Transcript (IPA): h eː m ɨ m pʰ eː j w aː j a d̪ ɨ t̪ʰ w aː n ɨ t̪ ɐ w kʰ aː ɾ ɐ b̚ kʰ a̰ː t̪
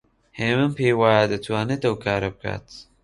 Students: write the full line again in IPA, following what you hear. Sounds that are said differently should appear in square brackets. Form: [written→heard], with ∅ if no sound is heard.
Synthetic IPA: h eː m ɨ m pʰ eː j w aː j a d̪ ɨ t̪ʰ w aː n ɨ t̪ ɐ w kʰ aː ɾ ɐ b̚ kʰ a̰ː t̪